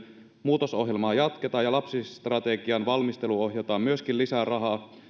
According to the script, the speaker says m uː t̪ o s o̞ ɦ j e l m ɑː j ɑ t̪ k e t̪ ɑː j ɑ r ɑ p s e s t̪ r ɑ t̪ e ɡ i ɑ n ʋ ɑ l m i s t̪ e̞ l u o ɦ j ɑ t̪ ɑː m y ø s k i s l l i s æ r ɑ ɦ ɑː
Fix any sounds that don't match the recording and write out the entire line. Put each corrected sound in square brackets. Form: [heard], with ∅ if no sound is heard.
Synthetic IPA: m uː t̪ o s o̞ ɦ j e l m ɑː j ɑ t̪ k e t̪ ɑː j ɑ [l] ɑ p s [i] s t̪ r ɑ t̪ e ɡ i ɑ n ʋ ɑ l m i s t̪ e̞ l u o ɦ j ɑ t̪ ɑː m y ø s k i [∅] l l i s æ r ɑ ɦ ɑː